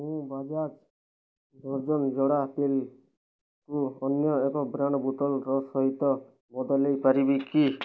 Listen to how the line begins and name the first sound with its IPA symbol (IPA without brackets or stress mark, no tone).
m